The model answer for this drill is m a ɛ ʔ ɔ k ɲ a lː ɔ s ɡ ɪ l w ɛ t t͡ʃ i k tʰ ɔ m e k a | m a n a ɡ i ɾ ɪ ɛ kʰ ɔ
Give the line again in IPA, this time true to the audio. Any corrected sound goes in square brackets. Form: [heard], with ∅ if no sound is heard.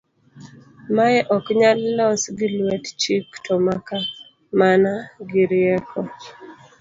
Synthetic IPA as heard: m a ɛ ʔ ɔ k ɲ a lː ɔ s ɡ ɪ l w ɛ t t͡ʃ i k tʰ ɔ m [a] k a | m a n a ɡ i ɾ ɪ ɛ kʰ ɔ

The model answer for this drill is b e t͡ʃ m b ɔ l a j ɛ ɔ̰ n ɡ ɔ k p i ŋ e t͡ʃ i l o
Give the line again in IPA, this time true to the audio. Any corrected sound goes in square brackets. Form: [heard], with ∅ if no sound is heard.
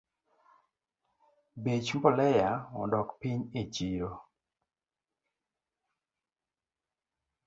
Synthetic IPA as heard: b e t͡ʃ m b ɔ l [ɛ] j [a] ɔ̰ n [d] ɔ k p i [ɲ] e t͡ʃ i [ɾ] o

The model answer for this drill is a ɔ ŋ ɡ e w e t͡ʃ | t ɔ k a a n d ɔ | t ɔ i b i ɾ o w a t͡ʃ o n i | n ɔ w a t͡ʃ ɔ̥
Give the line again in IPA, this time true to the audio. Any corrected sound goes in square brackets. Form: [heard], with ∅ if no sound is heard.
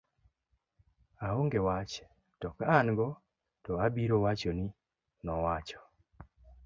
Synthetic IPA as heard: a [o] ŋ ɡ e w [a] t͡ʃ | t ɔ k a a n [ɡ] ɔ | t ɔ [a] b i ɾ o w a t͡ʃ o n i | n ɔ w a t͡ʃ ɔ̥

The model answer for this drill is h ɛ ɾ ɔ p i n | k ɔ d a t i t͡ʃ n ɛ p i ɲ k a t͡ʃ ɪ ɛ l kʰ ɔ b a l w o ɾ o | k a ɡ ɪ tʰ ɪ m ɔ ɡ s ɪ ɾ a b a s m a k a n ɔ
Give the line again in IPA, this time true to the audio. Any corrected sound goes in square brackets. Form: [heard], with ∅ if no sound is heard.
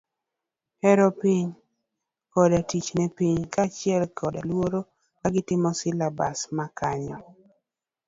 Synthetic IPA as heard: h ɛ ɾ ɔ p i [ɲ] | k ɔ d a t i t͡ʃ n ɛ p i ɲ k a t͡ʃ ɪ ɛ l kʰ ɔ [d] a l w o ɾ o | k a ɡ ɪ [t] ɪ m ɔ [∅] s ɪ [l] a b a s m a k a [ɲ] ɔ

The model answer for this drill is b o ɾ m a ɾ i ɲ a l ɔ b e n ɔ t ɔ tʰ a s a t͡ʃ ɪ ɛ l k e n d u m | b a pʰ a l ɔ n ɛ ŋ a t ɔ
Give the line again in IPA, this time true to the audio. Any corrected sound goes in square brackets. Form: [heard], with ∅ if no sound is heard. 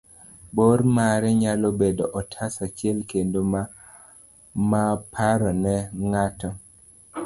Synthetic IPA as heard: b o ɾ m a ɾ [ɛ] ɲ a l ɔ b e [d] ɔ [ʔ] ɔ tʰ a s a t͡ʃ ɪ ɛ l k e n d [o] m | [m] a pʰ a [ɾ] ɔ n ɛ ŋ a t ɔ

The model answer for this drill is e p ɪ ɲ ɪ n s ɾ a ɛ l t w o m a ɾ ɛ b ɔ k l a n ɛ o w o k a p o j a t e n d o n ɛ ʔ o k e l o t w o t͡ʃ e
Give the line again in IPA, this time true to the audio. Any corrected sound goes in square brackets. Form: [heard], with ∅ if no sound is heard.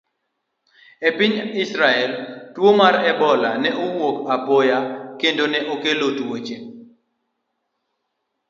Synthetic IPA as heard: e p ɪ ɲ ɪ [∅] s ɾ a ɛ l t w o m a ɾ ɛ b ɔ [∅] l a n ɛ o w o k a p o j a [k] e n d o n ɛ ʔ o k e l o t w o t͡ʃ e

